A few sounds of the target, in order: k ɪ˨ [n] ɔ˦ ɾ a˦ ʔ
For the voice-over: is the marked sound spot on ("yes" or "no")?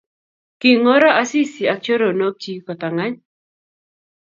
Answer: no